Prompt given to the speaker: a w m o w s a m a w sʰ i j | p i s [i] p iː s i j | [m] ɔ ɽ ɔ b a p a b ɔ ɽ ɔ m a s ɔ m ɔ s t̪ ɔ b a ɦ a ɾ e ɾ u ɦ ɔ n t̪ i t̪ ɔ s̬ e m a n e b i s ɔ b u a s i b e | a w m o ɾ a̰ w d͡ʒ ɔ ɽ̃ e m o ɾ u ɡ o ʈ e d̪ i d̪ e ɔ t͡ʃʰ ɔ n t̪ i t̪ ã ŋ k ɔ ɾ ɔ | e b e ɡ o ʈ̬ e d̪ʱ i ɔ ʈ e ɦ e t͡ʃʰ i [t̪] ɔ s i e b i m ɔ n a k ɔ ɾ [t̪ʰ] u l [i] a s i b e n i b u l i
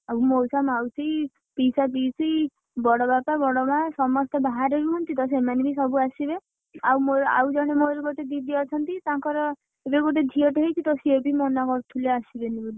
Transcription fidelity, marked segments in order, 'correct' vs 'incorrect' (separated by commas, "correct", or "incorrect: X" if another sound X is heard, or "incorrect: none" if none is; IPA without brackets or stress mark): incorrect: a, incorrect: b, correct, correct, incorrect: e